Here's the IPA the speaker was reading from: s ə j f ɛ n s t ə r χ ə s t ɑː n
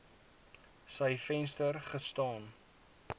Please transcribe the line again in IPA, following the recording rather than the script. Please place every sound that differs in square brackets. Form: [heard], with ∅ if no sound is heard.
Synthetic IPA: s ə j f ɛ n s t ə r χ ə s t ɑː n